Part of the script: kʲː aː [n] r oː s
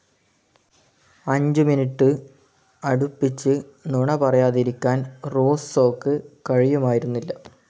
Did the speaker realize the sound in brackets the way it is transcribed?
yes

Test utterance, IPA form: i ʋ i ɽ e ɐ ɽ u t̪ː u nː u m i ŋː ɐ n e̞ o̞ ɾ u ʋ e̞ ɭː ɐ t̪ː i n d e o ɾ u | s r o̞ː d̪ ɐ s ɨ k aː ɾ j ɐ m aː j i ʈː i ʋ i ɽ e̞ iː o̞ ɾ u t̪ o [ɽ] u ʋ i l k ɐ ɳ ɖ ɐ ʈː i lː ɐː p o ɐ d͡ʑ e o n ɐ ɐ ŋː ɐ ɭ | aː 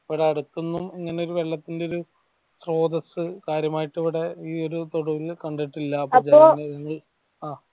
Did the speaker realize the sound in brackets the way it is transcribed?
yes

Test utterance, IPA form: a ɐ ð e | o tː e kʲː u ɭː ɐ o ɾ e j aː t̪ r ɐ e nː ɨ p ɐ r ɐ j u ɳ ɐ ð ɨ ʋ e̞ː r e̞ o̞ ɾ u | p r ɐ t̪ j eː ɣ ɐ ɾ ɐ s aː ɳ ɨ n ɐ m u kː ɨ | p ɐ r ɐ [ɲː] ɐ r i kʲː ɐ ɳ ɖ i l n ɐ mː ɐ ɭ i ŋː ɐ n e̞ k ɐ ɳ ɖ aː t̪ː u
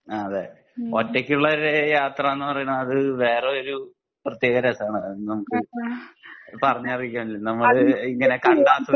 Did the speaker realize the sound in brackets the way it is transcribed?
yes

